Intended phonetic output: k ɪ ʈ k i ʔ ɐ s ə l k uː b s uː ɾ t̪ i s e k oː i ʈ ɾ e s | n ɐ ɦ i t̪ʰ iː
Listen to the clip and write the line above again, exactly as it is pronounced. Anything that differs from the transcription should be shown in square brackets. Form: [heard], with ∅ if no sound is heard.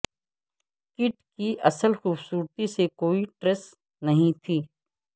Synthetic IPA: k ɪ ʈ k i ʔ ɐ s ə l [x] uː b s uː ɾ t̪ i s e k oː i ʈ ɾ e s | n ɐ ɦ [ĩ] t̪ʰ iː